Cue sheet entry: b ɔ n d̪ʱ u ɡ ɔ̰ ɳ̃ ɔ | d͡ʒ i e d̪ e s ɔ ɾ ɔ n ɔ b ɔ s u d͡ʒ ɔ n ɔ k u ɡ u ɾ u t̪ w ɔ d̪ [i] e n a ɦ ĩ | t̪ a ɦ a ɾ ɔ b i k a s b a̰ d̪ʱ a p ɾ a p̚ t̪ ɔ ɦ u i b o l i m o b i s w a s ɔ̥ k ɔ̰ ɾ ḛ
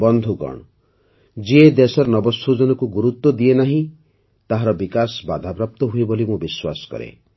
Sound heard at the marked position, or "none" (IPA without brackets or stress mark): i